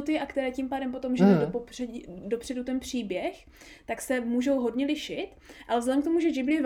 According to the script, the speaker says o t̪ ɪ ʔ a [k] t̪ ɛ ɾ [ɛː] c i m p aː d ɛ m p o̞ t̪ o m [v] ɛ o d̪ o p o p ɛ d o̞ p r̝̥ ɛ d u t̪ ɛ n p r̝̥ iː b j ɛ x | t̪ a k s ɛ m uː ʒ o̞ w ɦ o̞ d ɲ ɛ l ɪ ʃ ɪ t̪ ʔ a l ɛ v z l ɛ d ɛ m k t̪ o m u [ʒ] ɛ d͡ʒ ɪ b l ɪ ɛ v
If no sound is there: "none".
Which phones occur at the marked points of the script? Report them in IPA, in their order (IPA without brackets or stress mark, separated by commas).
k, ɛː, ʒ, ʒ